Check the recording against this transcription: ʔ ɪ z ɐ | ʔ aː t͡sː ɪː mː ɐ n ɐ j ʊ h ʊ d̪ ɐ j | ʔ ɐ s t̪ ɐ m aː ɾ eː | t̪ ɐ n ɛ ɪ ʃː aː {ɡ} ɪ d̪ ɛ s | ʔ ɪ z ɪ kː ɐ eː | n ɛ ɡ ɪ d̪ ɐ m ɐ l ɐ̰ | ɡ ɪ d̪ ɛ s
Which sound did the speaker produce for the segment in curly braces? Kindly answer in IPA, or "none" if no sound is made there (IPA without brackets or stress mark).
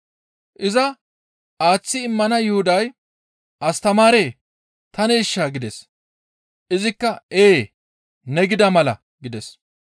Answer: ɡ